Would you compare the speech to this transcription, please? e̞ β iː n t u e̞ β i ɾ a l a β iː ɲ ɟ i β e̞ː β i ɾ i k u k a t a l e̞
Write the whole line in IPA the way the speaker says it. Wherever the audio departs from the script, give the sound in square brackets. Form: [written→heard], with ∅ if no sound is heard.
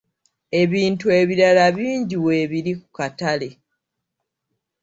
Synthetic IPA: e̞ β iː n t u e̞ β i ɾ a l a β iː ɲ ɟ i [β→w] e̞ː β i ɾ i k u k a t a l e̞